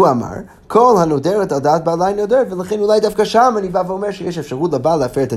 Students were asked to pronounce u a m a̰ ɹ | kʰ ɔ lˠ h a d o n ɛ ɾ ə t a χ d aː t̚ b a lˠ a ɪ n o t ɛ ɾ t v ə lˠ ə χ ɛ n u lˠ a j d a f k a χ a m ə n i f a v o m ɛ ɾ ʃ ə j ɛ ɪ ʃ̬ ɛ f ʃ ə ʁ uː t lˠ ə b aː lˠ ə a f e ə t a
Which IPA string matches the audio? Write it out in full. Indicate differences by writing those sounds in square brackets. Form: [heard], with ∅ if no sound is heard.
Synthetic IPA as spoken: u a m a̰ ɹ | kʰ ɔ lˠ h a [n] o [d] ɛ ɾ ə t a [∅] d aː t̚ b a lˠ a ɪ n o [d] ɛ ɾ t v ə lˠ ə χ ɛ n u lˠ a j d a f k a [ʃ] a m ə n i [v] a v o m ɛ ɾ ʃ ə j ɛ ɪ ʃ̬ ɛ f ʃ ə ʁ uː t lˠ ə b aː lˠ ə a f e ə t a